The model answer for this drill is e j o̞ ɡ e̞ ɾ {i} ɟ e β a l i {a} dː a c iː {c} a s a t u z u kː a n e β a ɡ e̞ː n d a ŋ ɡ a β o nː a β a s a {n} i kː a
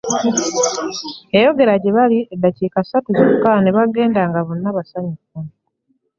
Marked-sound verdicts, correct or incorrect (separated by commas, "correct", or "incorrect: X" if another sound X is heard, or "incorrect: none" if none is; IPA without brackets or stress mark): incorrect: a, incorrect: e, incorrect: k, incorrect: ɲ